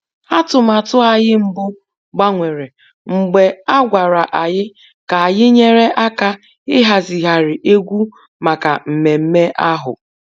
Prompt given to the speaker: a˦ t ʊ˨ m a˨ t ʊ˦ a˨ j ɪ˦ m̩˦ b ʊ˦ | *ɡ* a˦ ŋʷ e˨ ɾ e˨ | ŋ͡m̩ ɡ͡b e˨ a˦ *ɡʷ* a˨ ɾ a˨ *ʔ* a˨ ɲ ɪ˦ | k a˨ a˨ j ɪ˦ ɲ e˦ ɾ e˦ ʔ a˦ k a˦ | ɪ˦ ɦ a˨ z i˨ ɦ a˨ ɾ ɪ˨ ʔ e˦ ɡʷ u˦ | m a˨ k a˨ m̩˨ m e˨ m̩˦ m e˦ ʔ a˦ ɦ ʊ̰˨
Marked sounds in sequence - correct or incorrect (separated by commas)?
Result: incorrect, correct, correct